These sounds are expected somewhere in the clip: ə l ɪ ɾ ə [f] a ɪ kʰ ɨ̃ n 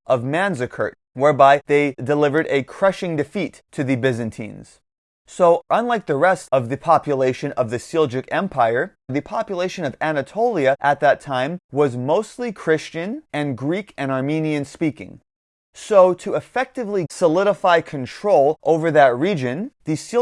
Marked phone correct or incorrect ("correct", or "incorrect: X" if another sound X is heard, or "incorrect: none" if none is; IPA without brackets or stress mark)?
correct